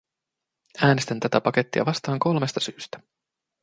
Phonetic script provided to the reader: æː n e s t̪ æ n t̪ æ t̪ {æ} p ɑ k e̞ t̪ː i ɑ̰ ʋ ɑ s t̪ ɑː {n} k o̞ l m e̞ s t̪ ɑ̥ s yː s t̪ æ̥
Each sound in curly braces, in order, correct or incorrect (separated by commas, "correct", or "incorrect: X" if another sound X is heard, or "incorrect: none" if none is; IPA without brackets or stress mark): correct, incorrect: ŋ